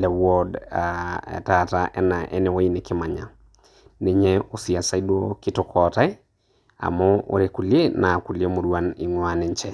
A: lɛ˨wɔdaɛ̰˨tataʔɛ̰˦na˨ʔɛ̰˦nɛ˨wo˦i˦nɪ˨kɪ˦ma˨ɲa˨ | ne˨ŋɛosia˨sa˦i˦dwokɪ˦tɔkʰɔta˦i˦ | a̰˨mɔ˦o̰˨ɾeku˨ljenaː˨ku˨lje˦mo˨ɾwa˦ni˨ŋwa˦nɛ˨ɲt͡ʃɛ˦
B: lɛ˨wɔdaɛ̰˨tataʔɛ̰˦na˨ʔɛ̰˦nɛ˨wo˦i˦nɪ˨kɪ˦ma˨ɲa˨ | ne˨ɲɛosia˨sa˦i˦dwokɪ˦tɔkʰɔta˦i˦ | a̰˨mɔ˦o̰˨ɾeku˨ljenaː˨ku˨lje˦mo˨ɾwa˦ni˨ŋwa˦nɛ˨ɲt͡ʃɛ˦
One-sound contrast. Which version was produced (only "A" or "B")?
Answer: B